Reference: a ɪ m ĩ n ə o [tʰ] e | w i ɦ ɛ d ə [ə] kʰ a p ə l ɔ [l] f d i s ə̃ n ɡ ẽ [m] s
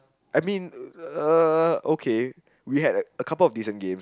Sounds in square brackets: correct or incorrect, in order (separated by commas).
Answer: incorrect, correct, incorrect, correct